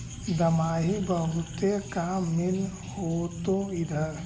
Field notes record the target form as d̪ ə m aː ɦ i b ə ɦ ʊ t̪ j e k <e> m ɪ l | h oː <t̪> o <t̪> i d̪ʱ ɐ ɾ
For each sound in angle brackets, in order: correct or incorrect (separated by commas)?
incorrect, correct, incorrect